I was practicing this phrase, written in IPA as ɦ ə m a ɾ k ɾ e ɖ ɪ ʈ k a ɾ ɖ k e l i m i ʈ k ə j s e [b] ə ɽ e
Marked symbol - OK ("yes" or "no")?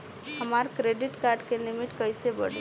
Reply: yes